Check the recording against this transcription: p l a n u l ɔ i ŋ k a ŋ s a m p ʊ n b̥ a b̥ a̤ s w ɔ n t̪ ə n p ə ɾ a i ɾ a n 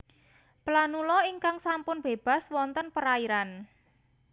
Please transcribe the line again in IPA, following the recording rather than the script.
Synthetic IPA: p l a n u l ɔ i ŋ k a ŋ s a m p ʊ n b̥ e b̥ a̤ s w ɔ n t̪ ə n p ə ɾ a i ɾ a n